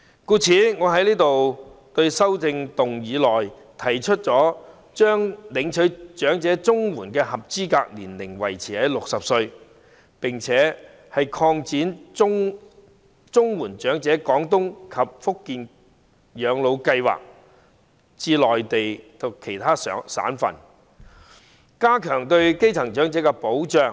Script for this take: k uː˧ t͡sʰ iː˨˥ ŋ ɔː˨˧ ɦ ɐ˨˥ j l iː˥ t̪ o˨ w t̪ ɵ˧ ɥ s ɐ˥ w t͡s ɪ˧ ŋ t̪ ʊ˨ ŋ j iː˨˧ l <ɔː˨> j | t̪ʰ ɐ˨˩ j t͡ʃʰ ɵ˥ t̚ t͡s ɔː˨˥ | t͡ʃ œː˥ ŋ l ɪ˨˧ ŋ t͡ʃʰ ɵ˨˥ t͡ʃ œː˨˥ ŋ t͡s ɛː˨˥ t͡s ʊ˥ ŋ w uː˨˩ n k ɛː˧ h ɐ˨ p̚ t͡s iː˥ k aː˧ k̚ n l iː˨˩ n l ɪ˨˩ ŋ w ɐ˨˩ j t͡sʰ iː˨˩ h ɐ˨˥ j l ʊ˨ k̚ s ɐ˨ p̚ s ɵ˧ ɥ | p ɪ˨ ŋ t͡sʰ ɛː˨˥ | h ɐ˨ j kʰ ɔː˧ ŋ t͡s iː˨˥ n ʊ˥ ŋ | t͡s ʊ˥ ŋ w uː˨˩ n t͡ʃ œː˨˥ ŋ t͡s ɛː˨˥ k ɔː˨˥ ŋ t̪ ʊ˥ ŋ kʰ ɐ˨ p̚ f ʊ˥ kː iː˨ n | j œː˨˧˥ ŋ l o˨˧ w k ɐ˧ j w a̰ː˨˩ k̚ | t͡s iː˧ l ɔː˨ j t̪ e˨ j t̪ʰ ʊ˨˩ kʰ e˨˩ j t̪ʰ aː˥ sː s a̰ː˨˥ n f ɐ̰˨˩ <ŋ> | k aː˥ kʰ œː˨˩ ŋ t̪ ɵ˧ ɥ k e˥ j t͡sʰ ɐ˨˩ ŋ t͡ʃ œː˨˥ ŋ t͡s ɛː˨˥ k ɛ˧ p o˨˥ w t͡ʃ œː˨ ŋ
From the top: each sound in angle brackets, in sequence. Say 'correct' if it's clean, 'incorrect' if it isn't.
correct, incorrect: n

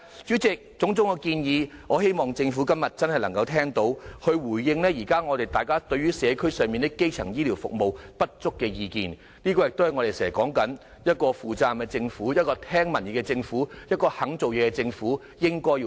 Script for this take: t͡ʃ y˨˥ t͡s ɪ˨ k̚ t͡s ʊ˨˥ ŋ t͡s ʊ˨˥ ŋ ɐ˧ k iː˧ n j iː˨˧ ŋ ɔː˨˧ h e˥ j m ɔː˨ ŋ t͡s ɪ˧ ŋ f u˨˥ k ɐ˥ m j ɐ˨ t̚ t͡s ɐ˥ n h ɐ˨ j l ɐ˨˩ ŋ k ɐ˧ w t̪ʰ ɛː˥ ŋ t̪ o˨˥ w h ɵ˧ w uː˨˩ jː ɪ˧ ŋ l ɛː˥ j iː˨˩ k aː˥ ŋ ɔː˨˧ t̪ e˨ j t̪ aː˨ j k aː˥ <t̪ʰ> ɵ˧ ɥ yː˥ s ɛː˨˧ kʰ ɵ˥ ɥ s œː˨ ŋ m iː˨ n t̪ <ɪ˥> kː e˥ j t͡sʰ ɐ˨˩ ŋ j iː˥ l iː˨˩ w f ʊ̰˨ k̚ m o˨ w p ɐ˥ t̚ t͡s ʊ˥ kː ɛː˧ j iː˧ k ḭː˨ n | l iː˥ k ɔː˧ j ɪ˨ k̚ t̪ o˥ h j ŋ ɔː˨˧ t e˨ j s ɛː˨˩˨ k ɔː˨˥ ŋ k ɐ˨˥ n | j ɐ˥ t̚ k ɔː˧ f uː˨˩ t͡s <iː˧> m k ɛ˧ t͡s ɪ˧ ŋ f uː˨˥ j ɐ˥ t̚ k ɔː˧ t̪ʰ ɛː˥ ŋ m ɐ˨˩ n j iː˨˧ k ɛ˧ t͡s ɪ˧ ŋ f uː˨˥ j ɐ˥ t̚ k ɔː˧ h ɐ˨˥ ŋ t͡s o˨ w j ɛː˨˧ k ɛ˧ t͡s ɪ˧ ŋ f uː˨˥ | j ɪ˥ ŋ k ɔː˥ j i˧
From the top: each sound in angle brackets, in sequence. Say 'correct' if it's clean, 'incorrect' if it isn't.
incorrect: t̪, correct, incorrect: aː˧

